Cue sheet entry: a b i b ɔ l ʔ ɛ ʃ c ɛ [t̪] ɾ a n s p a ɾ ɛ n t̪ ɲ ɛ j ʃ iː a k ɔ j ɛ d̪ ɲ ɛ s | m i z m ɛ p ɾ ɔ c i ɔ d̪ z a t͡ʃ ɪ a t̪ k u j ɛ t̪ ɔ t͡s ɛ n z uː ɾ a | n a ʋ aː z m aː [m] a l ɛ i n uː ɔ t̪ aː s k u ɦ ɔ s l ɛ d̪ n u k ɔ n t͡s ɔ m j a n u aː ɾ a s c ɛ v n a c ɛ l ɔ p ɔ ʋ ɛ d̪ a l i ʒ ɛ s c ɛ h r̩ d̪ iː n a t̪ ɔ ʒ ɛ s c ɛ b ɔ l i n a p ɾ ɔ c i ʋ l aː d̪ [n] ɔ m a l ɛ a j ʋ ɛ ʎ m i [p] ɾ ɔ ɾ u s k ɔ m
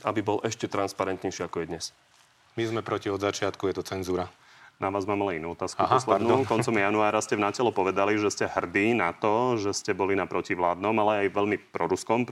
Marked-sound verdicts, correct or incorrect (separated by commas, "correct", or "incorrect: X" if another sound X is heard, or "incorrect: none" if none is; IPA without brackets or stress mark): correct, correct, correct, correct